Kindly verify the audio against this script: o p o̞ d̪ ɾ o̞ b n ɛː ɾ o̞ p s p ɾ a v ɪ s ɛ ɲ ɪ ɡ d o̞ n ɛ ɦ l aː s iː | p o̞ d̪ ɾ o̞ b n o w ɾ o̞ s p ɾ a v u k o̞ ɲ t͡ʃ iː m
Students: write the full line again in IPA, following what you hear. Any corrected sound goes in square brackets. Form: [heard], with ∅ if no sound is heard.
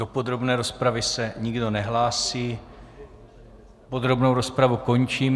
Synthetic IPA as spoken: o p o̞ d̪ ɾ o̞ b n ɛː ɾ o̞ [∅] s p ɾ a v ɪ s ɛ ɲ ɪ ɡ d o̞ n ɛ ɦ l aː s iː | p o̞ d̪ ɾ o̞ b n o w ɾ o̞ s p ɾ a v u k o̞ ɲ t͡ʃ iː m